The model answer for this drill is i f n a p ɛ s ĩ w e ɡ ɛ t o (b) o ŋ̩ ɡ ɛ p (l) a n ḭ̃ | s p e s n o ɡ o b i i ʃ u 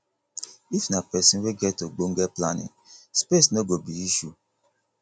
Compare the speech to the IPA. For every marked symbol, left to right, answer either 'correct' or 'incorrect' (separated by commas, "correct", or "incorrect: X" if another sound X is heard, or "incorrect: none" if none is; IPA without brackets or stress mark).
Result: incorrect: ɡ͡b, correct